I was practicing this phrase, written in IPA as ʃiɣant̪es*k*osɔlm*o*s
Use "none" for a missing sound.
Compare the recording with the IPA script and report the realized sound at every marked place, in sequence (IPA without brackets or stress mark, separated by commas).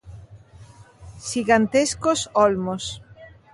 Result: k, o